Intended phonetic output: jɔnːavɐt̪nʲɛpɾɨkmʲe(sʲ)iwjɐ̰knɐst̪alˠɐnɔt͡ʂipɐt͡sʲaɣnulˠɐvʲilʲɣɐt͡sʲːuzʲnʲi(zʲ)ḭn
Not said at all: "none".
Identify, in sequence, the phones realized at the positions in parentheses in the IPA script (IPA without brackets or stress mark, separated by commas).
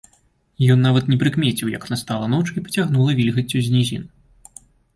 t͡sʲ, zʲ